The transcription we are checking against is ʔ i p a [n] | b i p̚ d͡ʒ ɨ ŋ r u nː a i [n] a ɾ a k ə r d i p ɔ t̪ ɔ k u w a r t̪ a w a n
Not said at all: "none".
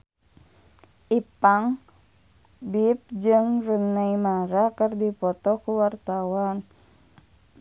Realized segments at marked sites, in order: ŋ, m

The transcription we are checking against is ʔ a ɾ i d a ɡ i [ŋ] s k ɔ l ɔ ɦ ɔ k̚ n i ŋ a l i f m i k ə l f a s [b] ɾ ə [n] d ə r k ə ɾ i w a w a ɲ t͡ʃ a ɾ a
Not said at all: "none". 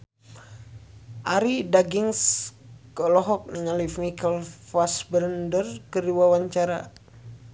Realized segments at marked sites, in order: ŋ, b, n

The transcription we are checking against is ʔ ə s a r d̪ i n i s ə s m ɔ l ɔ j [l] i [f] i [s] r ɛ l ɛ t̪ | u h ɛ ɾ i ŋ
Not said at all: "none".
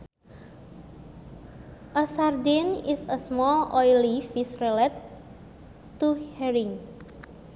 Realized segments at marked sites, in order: l, f, s

